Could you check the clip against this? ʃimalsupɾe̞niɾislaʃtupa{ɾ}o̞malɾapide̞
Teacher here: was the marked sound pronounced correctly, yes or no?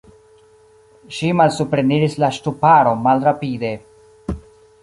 yes